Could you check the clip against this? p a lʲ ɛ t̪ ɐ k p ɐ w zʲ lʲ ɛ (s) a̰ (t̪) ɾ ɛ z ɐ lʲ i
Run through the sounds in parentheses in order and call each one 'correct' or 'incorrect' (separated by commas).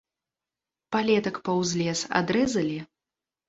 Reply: correct, incorrect